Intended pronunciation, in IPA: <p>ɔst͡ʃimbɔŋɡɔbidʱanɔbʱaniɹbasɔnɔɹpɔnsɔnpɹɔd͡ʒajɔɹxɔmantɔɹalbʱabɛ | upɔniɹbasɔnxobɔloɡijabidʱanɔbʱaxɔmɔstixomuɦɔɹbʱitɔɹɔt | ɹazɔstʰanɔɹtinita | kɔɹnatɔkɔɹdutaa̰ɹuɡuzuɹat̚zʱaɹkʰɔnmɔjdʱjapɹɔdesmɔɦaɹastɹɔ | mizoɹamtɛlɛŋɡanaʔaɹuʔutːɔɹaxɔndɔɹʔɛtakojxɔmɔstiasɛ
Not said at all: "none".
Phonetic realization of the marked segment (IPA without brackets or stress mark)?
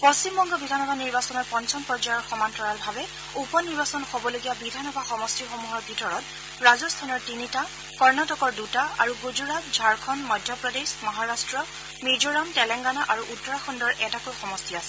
p